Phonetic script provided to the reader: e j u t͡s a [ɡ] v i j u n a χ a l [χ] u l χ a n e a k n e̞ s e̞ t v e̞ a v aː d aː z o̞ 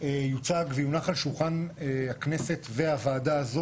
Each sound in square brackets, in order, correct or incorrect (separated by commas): correct, incorrect